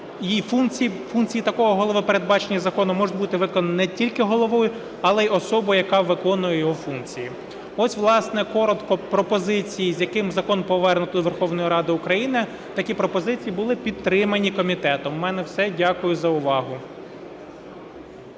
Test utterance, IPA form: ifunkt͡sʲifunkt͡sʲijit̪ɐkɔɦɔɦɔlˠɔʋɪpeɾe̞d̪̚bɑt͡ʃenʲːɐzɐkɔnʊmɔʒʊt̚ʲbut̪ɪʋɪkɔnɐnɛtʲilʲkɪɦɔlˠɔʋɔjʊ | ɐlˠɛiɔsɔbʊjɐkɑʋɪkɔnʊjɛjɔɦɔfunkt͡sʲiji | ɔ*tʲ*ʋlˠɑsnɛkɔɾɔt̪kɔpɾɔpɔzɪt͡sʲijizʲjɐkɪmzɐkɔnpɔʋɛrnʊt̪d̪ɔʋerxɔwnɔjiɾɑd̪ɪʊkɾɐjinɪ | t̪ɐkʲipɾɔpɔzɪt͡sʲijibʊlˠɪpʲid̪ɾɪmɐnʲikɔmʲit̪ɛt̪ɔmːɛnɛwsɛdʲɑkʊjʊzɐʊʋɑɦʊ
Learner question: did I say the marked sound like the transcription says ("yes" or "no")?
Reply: no